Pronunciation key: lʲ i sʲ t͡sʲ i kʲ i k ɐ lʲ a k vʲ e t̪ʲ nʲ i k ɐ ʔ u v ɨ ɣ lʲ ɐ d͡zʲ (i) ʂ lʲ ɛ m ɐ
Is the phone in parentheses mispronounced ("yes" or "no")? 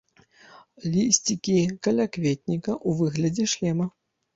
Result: yes